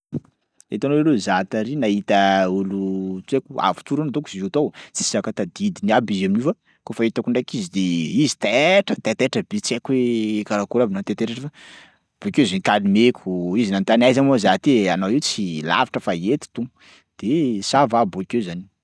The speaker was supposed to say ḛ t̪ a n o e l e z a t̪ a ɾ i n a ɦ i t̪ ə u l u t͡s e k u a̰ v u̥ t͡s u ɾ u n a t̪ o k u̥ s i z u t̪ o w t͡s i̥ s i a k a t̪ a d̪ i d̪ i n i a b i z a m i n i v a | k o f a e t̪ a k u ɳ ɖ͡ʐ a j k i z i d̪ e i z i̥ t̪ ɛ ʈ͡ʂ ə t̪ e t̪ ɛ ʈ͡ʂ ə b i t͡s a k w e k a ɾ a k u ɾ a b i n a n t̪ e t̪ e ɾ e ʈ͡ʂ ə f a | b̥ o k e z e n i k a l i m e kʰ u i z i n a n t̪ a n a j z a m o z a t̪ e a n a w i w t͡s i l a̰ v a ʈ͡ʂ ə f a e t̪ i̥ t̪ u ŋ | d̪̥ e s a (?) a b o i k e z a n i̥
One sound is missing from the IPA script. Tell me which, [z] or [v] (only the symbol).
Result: v